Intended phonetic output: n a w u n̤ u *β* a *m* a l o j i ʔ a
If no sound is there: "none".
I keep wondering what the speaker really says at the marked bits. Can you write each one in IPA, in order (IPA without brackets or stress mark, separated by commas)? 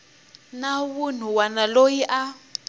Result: w, n